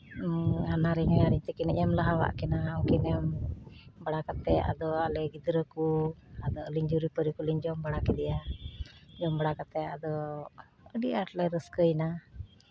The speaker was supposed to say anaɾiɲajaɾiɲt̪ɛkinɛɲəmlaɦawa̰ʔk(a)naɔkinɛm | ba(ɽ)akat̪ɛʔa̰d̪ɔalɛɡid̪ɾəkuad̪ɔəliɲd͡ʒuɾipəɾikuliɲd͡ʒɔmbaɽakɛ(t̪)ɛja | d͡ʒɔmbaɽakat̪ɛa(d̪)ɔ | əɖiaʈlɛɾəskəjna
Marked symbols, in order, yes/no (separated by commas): no, yes, no, yes